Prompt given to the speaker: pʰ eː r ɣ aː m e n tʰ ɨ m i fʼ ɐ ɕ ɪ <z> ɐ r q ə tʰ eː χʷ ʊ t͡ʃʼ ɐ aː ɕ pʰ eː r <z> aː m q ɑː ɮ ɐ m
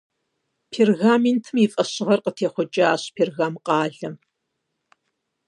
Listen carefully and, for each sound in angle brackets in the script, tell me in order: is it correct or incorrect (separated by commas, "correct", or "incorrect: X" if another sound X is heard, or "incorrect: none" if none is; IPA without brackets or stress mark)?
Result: incorrect: ʁ, incorrect: ɣ